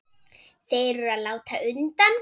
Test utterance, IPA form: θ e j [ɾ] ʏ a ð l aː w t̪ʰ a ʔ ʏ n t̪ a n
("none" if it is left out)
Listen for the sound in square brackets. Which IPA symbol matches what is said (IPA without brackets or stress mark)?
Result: ɾ